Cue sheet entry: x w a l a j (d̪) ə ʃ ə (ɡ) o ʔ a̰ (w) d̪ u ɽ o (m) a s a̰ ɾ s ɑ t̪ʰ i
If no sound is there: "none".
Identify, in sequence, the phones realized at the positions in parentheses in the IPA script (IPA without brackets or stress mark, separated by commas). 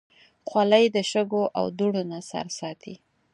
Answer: d̪, ɡ, w, n